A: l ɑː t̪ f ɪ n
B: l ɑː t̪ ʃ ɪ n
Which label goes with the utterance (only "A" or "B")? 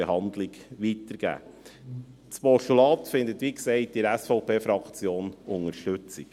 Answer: A